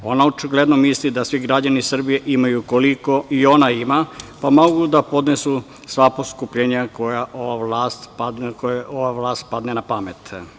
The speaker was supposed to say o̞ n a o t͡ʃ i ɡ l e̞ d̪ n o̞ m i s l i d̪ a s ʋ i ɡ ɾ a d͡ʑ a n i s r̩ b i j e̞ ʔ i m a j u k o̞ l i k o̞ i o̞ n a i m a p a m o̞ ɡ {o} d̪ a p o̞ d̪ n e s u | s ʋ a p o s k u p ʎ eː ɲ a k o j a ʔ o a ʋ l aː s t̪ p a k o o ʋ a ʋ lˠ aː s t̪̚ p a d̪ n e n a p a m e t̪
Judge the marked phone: incorrect: u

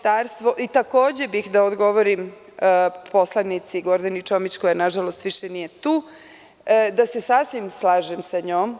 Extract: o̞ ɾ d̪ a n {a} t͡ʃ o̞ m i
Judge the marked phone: incorrect: i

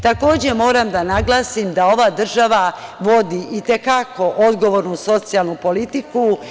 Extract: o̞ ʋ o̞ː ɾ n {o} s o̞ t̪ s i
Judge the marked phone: incorrect: u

